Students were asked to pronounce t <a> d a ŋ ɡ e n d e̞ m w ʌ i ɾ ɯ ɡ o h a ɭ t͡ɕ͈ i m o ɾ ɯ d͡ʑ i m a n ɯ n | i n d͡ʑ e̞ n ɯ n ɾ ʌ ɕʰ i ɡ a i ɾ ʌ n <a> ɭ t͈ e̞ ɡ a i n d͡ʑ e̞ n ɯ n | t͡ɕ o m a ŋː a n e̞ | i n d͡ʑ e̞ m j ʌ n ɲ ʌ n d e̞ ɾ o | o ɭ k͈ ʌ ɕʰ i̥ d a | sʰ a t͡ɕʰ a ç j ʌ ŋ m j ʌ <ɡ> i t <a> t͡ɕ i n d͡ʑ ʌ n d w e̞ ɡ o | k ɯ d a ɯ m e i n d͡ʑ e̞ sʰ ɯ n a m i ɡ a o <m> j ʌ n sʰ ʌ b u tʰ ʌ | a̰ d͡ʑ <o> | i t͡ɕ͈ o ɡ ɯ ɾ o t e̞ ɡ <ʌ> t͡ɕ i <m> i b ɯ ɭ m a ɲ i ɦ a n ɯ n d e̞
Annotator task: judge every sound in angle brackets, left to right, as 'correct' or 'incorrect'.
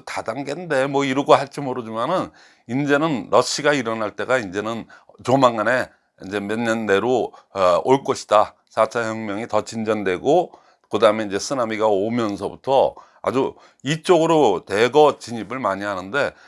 correct, correct, incorrect: ŋ, incorrect: ʌ, correct, incorrect: u, correct, incorrect: ɲ

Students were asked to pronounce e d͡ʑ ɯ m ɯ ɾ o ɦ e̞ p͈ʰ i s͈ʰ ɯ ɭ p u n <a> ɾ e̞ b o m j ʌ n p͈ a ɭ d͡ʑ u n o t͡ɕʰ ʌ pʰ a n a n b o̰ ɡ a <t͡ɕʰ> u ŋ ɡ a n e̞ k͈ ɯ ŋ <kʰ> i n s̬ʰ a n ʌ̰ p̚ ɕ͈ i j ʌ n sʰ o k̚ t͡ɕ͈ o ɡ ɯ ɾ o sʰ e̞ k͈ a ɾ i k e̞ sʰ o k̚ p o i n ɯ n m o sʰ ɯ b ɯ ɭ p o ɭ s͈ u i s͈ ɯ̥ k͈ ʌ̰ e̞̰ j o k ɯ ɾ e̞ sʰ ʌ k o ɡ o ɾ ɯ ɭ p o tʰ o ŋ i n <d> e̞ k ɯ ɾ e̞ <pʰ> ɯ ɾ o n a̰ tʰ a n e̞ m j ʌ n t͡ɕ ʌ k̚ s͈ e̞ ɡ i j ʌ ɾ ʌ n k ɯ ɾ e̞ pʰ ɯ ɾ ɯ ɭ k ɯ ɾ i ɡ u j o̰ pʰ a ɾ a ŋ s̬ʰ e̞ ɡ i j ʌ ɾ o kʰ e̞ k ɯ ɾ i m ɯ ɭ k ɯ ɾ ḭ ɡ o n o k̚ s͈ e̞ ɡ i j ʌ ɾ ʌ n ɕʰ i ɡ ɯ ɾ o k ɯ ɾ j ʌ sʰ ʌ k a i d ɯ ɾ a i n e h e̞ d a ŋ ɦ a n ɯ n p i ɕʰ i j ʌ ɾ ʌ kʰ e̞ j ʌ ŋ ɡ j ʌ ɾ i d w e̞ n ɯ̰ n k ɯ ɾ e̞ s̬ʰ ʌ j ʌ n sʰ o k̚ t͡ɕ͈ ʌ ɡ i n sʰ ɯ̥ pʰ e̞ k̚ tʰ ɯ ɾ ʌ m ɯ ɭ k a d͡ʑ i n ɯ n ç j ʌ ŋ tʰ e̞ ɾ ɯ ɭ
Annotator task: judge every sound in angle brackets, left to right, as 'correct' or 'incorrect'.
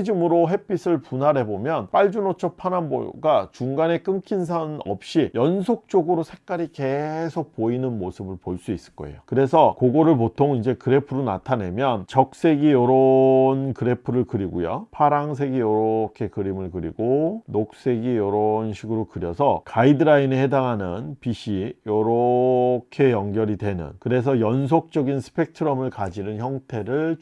correct, incorrect: t͡ɕ, correct, incorrect: d͡ʑ, correct

